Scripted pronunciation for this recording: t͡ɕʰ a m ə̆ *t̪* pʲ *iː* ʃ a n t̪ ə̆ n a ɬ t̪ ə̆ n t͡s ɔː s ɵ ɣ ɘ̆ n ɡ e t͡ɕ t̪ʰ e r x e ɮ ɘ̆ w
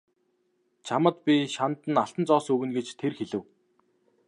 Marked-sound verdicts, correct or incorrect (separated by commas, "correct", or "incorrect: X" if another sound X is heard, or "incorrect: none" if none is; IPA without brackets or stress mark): correct, incorrect: i